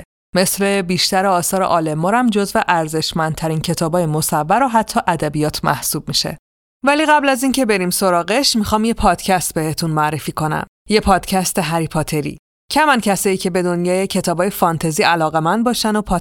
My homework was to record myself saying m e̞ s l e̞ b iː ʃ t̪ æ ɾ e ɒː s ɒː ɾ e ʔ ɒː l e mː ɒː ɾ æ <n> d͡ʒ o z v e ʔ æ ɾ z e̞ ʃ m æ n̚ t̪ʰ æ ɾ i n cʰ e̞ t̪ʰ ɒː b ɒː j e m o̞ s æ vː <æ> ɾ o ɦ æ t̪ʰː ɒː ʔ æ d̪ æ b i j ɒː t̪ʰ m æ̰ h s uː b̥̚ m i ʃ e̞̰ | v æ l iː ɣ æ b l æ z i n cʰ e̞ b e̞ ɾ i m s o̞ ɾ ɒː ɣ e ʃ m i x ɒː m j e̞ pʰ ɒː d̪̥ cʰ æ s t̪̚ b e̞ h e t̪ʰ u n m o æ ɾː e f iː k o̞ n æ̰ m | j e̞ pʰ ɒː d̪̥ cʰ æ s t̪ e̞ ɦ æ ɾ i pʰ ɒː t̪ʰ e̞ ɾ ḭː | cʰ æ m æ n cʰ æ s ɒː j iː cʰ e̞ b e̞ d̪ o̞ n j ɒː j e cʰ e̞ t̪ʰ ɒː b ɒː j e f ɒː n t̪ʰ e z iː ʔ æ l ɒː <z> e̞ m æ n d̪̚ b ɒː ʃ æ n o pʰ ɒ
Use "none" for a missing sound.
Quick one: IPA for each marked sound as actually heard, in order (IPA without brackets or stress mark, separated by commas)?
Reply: m, æ, ɣ